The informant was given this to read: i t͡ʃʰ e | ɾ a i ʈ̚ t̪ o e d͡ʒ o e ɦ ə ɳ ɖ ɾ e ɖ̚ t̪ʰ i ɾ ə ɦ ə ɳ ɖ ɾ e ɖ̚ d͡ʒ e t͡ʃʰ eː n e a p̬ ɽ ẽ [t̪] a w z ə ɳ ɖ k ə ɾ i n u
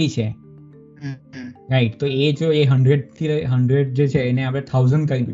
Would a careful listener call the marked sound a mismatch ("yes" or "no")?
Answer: yes